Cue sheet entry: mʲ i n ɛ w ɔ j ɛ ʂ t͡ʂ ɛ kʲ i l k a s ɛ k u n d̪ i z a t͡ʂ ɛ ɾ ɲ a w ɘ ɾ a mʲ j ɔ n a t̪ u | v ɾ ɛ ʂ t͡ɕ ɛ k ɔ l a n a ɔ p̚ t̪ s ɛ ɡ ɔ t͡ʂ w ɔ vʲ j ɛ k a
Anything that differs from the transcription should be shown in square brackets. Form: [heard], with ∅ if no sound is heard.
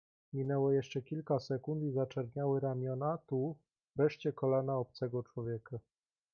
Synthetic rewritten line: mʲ i n ɛ w ɔ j ɛ ʂ t͡ʂ ɛ kʲ i l k a s ɛ k u n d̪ i z a t͡ʂ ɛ ɾ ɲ a w ɘ ɾ a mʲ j ɔ n a t̪ u | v ɾ ɛ ʂ t͡ɕ ɛ k ɔ l a n a ɔ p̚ t̪ s ɛ ɡ ɔ t͡ʂ w ɔ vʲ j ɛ k a